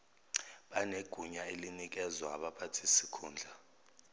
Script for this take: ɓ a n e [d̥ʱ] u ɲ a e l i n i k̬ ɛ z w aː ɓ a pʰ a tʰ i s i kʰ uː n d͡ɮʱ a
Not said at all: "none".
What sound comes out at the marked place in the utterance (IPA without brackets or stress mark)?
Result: ɡ̥ʱ